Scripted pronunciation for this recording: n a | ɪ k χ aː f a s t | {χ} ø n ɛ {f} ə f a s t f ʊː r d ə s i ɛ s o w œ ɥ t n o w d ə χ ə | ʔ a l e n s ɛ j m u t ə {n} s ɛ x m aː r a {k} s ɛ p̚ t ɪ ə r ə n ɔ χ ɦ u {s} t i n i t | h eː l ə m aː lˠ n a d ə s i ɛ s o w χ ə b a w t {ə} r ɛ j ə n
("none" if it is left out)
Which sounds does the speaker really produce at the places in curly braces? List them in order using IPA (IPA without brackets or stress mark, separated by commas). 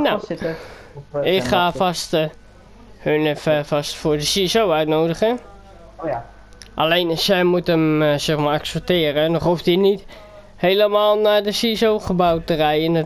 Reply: h, f, m, k, f, ə